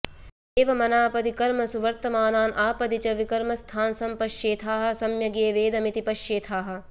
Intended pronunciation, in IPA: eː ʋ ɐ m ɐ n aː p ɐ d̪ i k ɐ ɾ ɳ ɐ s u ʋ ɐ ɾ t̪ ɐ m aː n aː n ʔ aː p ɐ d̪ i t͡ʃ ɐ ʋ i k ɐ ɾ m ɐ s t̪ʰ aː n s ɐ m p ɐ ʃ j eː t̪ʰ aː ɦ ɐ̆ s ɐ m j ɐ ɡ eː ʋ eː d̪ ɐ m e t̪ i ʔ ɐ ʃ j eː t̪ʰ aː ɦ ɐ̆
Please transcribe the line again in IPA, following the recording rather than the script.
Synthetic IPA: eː ʋ ɐ m ɐ n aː p ɐ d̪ i k ɐ ɾ m ɐ s u ʋ ɐ ɾ t̪ ɐ m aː n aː n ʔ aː p ɐ d̪ i t͡ʃ ɐ ʋ i k ɐ ɾ m ɐ s t̪ʰ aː n s ɐ m p ɐ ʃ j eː t̪ʰ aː ɦ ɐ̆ s ɐ m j ɐ ɡ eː ʋ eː d̪ ɐ m i t̪ i p ɐ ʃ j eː t̪ʰ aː ɦ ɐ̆